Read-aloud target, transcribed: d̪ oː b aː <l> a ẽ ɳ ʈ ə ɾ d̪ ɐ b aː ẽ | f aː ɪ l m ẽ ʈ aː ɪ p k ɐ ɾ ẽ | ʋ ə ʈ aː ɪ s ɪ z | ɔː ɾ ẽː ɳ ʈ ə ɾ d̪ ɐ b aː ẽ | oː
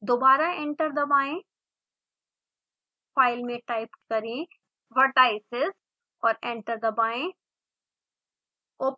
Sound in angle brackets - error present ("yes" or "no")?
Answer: yes